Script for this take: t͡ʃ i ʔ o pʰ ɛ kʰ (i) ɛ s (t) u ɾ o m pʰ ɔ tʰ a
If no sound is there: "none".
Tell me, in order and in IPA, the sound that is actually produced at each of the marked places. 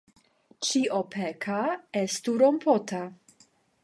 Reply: a, t

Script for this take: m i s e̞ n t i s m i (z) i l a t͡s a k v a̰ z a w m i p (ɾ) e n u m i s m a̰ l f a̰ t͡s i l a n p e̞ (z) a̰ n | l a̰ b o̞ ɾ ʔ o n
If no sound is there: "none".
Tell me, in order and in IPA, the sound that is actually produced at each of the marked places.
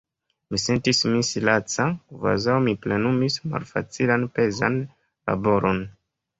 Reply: s, l, z

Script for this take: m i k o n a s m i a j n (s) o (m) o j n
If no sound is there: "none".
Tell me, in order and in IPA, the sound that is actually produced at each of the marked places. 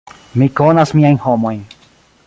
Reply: h, m

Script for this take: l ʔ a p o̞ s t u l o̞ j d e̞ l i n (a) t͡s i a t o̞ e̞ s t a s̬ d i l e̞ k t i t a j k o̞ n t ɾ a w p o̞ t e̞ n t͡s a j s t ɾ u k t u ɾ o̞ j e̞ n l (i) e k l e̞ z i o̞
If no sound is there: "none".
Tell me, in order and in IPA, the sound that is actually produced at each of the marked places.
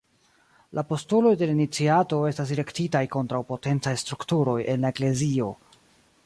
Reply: i, a

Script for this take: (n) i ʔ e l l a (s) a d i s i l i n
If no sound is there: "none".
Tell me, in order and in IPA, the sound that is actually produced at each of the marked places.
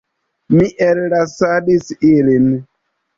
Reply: m, s

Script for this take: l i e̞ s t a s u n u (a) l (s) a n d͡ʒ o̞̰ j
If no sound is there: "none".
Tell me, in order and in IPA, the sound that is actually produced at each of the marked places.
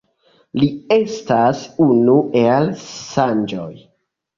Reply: e, s

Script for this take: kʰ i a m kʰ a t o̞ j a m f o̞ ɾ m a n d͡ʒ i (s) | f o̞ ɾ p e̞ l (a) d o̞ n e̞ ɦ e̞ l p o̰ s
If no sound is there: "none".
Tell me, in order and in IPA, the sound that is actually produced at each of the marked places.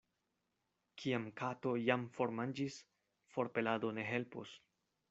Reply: s, a

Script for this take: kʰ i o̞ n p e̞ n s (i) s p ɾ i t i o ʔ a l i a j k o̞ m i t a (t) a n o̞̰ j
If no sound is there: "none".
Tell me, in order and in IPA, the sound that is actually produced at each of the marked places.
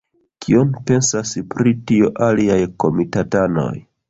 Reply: a, t

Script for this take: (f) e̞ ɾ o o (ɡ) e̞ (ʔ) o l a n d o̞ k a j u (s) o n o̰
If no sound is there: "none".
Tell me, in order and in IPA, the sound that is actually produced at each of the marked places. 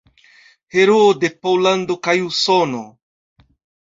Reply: h, d, p, s

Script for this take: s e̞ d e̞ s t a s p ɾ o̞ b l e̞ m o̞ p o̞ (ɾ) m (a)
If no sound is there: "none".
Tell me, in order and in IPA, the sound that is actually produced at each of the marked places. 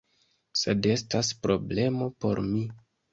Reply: ɾ, i

